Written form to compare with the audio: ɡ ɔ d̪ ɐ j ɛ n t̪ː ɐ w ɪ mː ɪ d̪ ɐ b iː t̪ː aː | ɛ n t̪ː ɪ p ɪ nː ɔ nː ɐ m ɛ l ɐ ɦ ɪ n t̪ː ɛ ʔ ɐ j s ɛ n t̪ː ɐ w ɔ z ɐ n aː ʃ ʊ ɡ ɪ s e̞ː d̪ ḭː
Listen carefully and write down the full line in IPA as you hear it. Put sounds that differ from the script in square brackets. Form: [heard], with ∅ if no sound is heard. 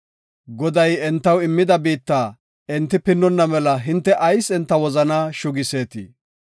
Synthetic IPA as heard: ɡ ɔ d̪ ɐ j ɛ n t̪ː ɐ w ɪ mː ɪ d̪ ɐ b iː t̪ː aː | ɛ n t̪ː ɪ p ɪ nː ɔ nː ɐ m ɛ l ɐ ɦ ɪ n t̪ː ɛ ʔ ɐ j s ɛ n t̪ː ɐ w ɔ z ɐ n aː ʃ ʊ ɡ ɪ s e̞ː [t̪] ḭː